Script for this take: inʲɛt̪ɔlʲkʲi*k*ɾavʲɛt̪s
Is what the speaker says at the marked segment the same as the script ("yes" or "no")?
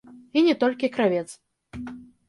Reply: yes